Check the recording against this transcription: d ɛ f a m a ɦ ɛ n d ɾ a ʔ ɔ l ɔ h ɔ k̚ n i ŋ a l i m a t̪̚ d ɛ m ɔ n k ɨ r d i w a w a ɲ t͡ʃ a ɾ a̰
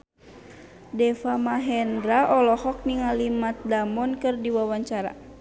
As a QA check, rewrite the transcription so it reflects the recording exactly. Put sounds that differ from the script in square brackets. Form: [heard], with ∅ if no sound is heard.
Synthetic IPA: d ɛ f a m a ɦ ɛ n d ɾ a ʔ ɔ l ɔ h ɔ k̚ n i ŋ a l i m a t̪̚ d [a] m ɔ n k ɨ r d i w a w a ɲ t͡ʃ a ɾ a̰

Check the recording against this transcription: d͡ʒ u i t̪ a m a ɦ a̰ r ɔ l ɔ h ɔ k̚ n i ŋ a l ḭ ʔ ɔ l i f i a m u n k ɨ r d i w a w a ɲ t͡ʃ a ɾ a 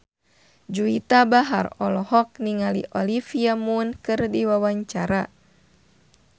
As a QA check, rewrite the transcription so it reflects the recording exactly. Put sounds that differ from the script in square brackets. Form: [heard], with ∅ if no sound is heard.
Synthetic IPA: d͡ʒ u i t̪ a [b] a ɦ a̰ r ɔ l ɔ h ɔ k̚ n i ŋ a l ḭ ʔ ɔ l i f i a m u n k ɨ r d i w a w a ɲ t͡ʃ a ɾ a

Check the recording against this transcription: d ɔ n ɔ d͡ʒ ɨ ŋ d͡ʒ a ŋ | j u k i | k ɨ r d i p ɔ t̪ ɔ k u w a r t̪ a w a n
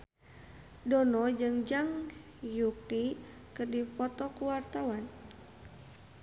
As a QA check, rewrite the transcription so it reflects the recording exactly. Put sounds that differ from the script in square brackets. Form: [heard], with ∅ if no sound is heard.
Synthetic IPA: d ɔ n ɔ d͡ʒ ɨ ŋ d͡ʒ a ŋ | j u k i | k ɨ r d i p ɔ t̪ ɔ k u w a r t̪ a w a n

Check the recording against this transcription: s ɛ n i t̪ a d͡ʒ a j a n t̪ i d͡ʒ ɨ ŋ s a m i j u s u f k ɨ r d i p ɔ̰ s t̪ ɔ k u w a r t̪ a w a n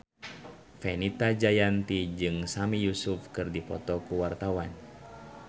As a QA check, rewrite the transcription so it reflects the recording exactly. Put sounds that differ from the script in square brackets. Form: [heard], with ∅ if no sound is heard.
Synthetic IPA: [f] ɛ n i t̪ a d͡ʒ a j a n t̪ i d͡ʒ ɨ ŋ s a m i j u s u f k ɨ r d i p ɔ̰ [∅] t̪ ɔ k u w a r t̪ a w a n

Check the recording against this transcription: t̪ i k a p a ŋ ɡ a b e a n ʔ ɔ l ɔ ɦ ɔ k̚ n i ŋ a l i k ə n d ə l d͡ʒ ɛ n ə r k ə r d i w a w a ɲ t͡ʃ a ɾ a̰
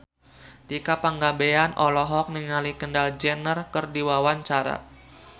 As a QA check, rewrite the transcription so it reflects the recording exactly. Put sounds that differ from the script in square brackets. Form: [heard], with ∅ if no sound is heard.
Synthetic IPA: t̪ i k a p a ŋ ɡ a b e a n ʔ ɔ l ɔ ɦ ɔ k̚ n i ŋ a l i k ə n d [a] l d͡ʒ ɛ n ə r k ə r d i w a w a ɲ t͡ʃ a ɾ a̰

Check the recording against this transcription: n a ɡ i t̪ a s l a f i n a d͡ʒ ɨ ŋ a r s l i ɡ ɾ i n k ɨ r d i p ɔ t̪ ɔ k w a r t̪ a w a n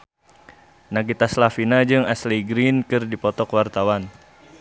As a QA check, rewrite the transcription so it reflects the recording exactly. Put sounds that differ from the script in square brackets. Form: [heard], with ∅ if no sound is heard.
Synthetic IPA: n a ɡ i t̪ a s l a f i n a d͡ʒ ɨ ŋ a [∅] s l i ɡ ɾ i n k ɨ r d i p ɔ t̪ ɔ k w a r t̪ a w a n

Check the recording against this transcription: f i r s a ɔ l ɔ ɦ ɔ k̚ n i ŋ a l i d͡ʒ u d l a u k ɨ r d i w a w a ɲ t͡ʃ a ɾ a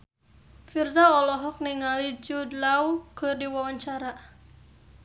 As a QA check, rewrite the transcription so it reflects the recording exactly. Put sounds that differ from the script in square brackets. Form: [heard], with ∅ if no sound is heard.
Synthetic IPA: f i r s a ɔ l ɔ ɦ ɔ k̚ n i ŋ a l i d͡ʒ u d l a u k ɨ r d i w a w a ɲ t͡ʃ a ɾ a

